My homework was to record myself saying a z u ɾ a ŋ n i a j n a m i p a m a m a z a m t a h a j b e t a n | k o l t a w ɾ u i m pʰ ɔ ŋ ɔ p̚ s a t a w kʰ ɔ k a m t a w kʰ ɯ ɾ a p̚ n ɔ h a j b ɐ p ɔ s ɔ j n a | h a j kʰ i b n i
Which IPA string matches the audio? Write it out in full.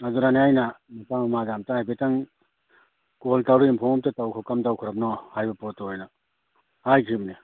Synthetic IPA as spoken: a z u ɾ a n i a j n a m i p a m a m a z a m t a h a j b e t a ŋ | k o l t a w ɾ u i m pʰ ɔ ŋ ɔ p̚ t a t a w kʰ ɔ k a m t a w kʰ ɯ ɾ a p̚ n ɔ h a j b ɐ p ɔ t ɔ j n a | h a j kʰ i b n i